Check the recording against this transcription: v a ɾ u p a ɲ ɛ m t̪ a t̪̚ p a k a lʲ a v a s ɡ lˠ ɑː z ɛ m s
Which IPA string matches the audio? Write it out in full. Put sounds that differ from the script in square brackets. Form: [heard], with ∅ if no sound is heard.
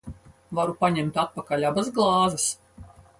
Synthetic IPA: v a ɾ u p a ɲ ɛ m t̪ a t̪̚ p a k a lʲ a [b] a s ɡ lˠ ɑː z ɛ [∅] s